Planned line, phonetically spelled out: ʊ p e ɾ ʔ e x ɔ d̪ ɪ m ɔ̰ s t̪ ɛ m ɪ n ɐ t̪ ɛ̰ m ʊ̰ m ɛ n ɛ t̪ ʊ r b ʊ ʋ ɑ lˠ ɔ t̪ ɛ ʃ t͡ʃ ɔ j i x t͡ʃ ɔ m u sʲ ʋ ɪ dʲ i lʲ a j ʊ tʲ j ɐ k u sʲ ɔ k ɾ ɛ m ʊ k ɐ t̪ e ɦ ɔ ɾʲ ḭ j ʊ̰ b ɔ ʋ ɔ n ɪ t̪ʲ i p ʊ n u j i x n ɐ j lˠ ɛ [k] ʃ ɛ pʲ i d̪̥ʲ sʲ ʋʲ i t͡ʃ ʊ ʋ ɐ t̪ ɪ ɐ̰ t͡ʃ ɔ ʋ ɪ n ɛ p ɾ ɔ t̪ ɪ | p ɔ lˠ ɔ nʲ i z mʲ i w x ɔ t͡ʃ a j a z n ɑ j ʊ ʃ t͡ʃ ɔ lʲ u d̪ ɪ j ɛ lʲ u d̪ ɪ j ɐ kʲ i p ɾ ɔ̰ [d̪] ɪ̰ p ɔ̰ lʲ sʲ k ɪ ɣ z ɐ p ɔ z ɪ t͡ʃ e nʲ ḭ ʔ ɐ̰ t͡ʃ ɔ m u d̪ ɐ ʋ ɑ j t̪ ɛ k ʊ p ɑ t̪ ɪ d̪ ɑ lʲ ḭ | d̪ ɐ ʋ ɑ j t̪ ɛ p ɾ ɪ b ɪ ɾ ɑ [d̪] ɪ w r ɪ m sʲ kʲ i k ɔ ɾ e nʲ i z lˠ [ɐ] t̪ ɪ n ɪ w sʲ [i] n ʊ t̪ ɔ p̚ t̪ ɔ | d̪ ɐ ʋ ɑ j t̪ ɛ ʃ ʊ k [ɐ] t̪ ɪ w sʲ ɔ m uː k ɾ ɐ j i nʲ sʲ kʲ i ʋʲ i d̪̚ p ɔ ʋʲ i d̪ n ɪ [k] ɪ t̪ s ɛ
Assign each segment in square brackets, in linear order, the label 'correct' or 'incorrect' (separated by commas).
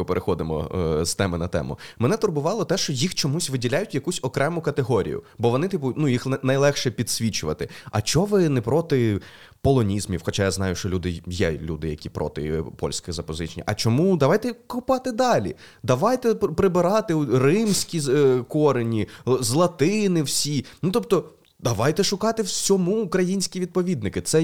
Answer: incorrect, incorrect, incorrect, correct, correct, incorrect, correct